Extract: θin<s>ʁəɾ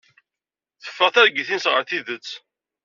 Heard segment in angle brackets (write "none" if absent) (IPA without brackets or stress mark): s